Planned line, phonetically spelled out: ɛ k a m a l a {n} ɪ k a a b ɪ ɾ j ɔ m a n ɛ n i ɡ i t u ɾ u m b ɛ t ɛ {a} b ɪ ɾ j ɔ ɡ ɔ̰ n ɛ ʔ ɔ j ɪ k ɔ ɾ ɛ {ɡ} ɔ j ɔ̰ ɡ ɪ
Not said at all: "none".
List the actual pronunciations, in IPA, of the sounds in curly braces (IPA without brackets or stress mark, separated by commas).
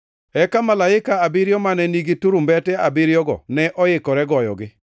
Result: none, a, ɡ